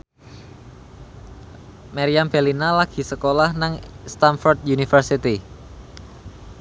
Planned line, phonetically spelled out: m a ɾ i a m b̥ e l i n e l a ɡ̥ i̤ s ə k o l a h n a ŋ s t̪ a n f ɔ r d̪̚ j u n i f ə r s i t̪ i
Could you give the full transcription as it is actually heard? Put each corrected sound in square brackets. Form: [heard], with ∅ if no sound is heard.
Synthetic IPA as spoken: m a ɾ i a m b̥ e l i n [a] l a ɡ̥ i̤ s ə k o l a h n a ŋ s t̪ a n f ɔ r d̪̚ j u n i f ə r s i t̪ i